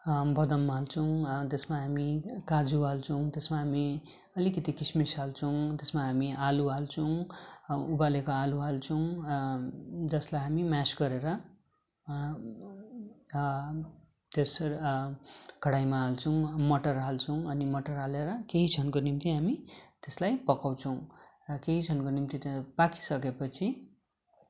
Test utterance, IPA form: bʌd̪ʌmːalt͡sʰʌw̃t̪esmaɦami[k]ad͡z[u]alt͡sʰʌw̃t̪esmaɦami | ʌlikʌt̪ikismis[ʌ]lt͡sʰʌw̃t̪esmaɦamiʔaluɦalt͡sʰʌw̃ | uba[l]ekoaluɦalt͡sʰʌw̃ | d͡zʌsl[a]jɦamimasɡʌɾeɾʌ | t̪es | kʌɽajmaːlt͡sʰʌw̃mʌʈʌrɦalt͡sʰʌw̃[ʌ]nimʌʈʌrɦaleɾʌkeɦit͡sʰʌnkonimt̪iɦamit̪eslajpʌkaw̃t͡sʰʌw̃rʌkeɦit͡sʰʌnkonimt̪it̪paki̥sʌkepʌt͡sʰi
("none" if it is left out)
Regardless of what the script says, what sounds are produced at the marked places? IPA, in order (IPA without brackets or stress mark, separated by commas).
k, u, a, l, a, ʌ